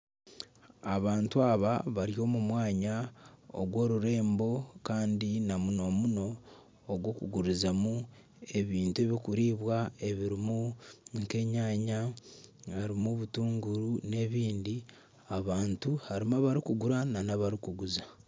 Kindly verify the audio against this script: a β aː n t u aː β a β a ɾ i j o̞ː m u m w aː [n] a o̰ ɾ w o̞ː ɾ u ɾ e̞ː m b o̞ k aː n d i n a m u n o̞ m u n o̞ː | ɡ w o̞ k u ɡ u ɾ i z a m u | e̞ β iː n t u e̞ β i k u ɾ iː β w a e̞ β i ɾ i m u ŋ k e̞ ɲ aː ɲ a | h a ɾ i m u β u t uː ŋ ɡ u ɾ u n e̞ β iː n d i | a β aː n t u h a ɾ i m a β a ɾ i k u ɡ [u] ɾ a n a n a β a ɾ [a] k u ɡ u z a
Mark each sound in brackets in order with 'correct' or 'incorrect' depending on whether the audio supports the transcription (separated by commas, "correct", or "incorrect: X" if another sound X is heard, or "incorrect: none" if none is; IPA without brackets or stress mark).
incorrect: ɲ, correct, incorrect: i